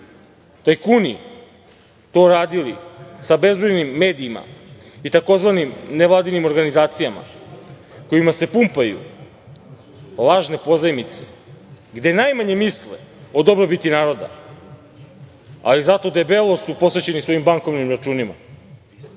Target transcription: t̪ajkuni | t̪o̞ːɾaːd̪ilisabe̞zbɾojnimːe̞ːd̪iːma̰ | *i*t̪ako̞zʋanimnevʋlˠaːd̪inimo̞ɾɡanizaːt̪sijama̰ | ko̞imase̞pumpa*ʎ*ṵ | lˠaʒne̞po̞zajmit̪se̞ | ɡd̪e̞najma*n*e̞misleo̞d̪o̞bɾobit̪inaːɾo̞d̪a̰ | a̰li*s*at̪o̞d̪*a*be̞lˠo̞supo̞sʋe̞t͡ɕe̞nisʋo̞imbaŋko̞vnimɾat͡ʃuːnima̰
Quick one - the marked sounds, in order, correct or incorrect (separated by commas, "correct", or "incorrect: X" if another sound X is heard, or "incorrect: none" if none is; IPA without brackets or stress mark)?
correct, incorrect: j, incorrect: ɲ, incorrect: z, incorrect: e